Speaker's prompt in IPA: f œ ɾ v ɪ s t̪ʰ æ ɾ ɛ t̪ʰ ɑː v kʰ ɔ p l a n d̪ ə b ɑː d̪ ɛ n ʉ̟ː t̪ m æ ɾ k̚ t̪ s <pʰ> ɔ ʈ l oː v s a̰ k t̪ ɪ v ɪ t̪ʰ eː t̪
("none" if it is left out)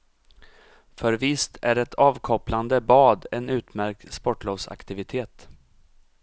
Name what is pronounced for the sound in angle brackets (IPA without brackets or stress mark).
p